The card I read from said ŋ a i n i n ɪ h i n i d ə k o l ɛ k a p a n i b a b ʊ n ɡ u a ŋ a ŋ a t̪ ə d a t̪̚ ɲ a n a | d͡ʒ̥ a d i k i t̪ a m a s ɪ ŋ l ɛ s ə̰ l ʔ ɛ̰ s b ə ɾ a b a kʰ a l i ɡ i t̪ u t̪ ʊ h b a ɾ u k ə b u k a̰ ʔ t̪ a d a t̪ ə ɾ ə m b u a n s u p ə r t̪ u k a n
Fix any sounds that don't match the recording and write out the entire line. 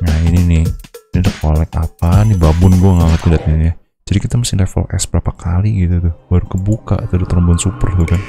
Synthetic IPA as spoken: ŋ a i n i n ɪ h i n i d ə k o l ɛ k a p a n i b a b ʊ n ɡ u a ŋ a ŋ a t̪ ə d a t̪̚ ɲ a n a | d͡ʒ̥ a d i k i t̪ a m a s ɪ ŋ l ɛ f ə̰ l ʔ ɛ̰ s b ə ɾ a p a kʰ a l i ɡ i t̪ u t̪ ʊ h b a ɾ u k ə b u k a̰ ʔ t̪ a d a t̪ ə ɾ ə m b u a n s u p ə r t̪ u k a n